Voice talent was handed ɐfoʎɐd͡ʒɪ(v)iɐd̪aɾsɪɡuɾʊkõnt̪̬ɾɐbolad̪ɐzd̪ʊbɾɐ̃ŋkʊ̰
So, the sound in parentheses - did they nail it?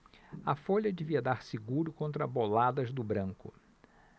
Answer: yes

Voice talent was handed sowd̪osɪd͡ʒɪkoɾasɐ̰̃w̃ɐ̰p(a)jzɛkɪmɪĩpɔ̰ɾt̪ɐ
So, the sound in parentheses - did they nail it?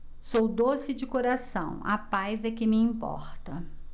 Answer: yes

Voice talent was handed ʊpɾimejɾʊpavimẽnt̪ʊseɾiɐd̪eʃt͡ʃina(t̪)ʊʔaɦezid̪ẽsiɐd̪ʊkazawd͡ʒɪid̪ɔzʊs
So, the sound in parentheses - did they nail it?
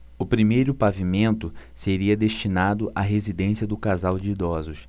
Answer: no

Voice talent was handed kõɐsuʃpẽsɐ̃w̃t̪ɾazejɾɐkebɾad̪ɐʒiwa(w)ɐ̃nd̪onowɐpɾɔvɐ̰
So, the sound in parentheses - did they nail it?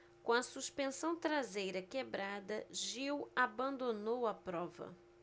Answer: no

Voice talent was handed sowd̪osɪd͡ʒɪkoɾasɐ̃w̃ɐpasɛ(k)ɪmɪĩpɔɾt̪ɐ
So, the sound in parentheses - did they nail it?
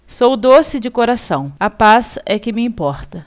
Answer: yes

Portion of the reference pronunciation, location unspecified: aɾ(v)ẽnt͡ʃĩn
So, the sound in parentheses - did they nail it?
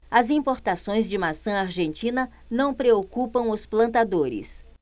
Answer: no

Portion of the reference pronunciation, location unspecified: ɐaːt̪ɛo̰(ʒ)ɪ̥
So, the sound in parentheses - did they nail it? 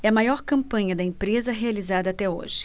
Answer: yes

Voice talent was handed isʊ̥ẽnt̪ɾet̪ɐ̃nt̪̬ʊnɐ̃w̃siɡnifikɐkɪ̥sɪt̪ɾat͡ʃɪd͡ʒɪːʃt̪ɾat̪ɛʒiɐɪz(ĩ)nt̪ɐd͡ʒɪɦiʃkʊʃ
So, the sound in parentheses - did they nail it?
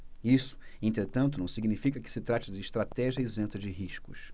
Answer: no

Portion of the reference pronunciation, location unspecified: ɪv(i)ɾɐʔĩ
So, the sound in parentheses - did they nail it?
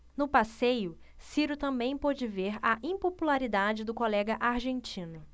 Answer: no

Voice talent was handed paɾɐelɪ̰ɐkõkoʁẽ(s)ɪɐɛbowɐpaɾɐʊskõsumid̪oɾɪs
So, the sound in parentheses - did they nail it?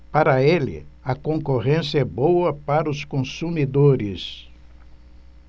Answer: yes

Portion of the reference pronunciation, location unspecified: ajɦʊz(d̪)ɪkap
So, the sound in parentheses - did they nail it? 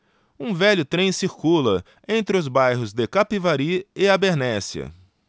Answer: yes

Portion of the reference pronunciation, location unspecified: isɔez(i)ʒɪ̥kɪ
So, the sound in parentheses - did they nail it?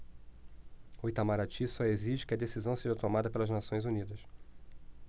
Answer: yes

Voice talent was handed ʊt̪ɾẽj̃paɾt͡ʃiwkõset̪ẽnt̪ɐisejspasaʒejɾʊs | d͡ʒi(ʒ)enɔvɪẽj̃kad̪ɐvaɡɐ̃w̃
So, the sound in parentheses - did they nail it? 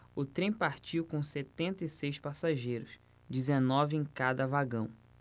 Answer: no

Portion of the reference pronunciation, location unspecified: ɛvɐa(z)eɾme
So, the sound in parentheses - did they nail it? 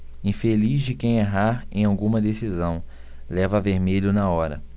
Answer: no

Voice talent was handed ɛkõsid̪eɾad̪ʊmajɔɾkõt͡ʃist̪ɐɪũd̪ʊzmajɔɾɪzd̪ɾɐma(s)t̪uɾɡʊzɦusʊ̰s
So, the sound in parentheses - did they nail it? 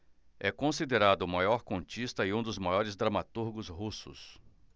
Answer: no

